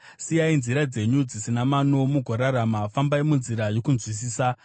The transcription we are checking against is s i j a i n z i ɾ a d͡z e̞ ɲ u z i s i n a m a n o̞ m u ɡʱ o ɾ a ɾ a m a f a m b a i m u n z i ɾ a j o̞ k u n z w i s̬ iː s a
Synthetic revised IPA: s i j a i n z i ɾ a d͡z e̞ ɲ u d͡z i s i n a m a n o̞ m u ɡʱ o ɾ a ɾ a m a f a m b a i m u n z i ɾ a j o̞ k u n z w i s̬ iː s a

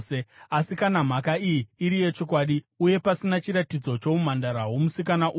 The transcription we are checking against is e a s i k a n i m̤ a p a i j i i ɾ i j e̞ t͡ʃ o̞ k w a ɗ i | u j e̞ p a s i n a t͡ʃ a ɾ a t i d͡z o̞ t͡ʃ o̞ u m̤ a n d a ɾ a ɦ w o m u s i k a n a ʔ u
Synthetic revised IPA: e a s i k a n a m̤ a k a i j i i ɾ i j e̞ t͡ʃ o̞ k w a ɗ i | u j e̞ p a s i n a t͡ʃ i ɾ a t i d͡z o̞ t͡ʃ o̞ u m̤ a n d a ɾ a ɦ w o m u s i k a n a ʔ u

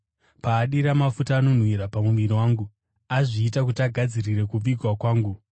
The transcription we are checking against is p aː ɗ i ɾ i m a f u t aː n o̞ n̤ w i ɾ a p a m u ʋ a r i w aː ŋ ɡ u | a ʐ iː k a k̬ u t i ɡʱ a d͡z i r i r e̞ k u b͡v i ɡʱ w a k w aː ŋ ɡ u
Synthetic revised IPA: p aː ɗ i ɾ a m a f u t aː n o̞ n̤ w i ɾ a p a m u ʋ i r i w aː ŋ ɡ u | a ʐ iː t a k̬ u t a ɡʱ a d͡z i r i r e̞ k u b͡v i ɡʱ w a k w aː ŋ ɡ u

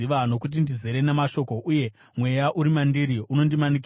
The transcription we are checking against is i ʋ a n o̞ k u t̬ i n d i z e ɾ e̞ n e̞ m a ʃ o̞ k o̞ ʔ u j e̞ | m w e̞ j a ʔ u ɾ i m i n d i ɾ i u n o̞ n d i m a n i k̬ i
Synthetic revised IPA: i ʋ a n o̞ k u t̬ i n d i z e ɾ e̞ n e̞ m a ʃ o̞ k o̞ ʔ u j e̞ | m w e̞ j a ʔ u ɾ i m a n d i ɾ i u n o̞ n d i m a n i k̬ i

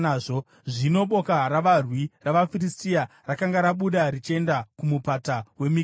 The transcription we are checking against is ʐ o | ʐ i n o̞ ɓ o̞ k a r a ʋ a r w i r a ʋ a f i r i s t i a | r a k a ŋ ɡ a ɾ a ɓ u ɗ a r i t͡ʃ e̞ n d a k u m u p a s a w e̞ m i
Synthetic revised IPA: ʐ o | ʐ i n o̞ ɓ o̞ k a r a ʋ a r w i r a ʋ a f i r i s t i a | r a k a ŋ ɡ a ɾ a ɓ u ɗ a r i t͡ʃ e̞ n d a k u m u p a t a w e̞ m i

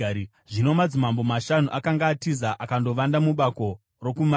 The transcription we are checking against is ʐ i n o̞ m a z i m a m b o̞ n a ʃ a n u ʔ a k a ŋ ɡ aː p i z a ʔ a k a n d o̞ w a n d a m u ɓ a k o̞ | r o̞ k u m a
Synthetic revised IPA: ʐ i n o̞ m a d͡z i m a m b o̞ m a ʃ a n u ʔ a k a ŋ ɡ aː t i z a ʔ a k a n d o̞ ʋ a n d a m u ɓ a k o̞ | r o̞ k u m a

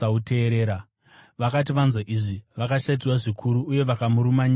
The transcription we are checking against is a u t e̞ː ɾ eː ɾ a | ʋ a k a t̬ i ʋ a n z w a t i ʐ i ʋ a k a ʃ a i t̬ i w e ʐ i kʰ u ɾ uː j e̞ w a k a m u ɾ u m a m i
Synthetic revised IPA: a u t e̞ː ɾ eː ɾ a | ʋ a k a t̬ i ʋ a n z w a ʔ i ʐ i ʋ a k a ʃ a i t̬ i w a ʐ i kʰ u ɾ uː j e̞ ʋ a k a m u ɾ u m a ɲ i

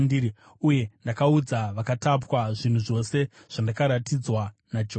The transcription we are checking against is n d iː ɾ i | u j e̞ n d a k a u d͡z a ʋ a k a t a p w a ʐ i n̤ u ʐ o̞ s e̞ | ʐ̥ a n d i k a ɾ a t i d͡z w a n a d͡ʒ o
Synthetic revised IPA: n d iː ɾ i | u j e̞ n d a k a u d͡z a ʋ a k a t a p w a ʐ i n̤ u ʐ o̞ s e̞ | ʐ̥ a n d a k a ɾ a t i d͡z w a n a d͡ʒ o

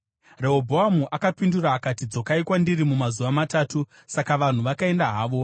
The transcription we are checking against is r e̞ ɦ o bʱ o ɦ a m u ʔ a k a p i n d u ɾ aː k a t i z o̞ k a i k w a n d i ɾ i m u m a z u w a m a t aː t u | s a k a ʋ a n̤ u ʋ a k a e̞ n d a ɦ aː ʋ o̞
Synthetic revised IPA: r e̞ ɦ o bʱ o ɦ a m u ʔ a k a p i n d u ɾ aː k a t i d͡z o̞ k a i k w a n d i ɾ i m u m a z u ʋ a m a t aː t u | s a k a ʋ a n̤ u ʋ a k a e̞ n d a ɦ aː ʋ o̞

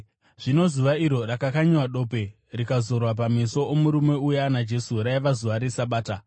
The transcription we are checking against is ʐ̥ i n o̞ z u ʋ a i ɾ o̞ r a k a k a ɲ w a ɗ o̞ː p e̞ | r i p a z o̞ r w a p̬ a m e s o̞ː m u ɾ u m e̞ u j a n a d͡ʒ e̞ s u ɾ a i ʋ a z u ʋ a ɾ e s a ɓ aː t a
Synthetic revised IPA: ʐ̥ i n o̞ z u ʋ a i ɾ o̞ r a k a k a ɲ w a ɗ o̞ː p e̞ | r i k a z o̞ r w a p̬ a m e s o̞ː m u ɾ u m e̞ u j a n a d͡ʒ e̞ s u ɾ a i ʋ a z u ʋ a ɾ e s a ɓ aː t a

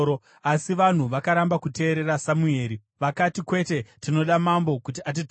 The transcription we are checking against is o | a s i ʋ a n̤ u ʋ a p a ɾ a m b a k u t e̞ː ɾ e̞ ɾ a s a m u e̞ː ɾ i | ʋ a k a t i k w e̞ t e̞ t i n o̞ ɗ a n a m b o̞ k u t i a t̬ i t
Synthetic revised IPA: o | a s i ʋ a n̤ u ʋ a k a ɾ a m b a k u t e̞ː ɾ e̞ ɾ a s a m u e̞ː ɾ i | ʋ a k a t i k w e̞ t e̞ t i n o̞ ɗ a m a m b o̞ k u t i a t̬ i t

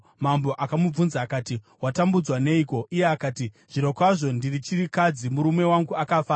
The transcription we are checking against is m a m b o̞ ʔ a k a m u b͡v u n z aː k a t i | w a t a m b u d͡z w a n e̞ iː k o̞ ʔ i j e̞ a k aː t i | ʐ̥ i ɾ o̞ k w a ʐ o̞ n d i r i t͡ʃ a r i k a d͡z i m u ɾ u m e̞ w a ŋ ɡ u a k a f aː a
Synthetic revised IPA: m a m b o̞ ʔ a k a m u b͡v u n z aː k a t i | w a t a m b u d͡z w a n e̞ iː k o̞ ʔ i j e̞ a k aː t i | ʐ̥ i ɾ o̞ k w a ʐ o̞ n d i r i t͡ʃ i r i k a d͡z i m u ɾ u m e̞ w a ŋ ɡ u a k a f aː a

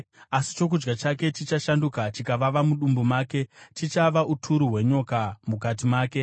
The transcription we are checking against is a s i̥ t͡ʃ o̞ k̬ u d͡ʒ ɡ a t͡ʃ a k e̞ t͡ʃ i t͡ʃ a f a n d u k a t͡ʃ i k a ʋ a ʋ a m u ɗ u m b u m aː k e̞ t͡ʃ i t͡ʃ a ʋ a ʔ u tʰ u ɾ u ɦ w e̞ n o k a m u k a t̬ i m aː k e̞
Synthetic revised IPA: a s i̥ t͡ʃ o̞ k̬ u d͡ʒ ɡ a t͡ʃ a k e̞ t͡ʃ i t͡ʃ a ʃ a n d u k a t͡ʃ i k a ʋ a ʋ a m u ɗ u m b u m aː k e̞ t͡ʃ i t͡ʃ a ʋ a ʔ u tʰ u ɾ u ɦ w e̞ ɲ o k a m u k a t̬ i m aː k e̞

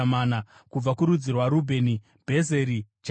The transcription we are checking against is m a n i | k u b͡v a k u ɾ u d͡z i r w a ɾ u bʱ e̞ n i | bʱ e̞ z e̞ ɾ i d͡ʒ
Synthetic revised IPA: m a n a | k u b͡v a k u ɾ u d͡z i r w a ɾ u bʱ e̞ n i | bʱ e̞ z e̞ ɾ i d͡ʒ

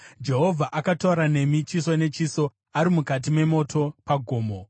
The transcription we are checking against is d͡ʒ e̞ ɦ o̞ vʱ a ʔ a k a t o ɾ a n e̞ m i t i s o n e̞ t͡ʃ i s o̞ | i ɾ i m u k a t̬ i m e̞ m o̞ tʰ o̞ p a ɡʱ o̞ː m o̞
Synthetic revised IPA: d͡ʒ e̞ ɦ o̞ vʱ a ʔ a k a t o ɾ a n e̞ m i t͡ʃ i s o n e̞ t͡ʃ i s o̞ | a ɾ i m u k a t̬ i m e̞ m o̞ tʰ o̞ p a ɡʱ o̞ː m o̞

